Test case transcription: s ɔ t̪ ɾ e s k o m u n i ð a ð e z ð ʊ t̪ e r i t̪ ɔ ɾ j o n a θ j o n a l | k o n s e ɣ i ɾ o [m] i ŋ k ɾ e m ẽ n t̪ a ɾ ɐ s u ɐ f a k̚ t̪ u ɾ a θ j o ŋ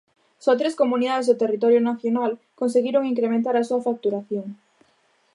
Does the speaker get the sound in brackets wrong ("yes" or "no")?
yes